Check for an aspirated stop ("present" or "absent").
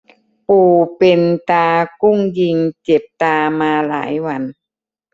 absent